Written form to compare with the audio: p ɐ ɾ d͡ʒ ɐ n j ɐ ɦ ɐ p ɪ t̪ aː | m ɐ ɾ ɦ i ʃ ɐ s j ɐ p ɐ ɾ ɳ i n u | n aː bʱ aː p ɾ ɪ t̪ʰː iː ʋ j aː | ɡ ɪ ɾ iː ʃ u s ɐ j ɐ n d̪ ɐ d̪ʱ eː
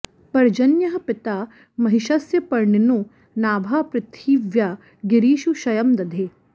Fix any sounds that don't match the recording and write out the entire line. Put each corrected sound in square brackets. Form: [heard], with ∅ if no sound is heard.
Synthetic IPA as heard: p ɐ ɾ d͡ʒ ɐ n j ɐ ɦ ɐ p ɪ t̪ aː | m ɐ [∅] ɦ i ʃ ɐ s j ɐ p ɐ ɾ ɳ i n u | n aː bʱ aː p ɾ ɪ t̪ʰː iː ʋ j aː | ɡ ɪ ɾ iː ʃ u [ʃ] ɐ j ɐ [m] d̪ ɐ d̪ʱ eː